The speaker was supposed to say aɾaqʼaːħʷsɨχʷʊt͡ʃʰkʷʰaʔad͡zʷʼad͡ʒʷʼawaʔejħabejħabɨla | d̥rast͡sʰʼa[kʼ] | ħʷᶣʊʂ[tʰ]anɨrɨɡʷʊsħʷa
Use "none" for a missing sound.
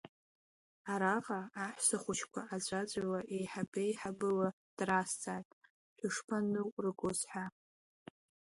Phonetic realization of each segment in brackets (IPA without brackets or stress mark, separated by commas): tʼ, pʰ